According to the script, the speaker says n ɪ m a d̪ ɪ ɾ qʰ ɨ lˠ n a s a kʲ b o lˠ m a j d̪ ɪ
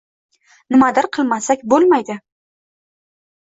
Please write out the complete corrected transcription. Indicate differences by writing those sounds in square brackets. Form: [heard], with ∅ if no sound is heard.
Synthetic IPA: n ɪ m a d̪ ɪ ɾ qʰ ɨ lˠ [m] a s a kʲ b o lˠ m a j d̪ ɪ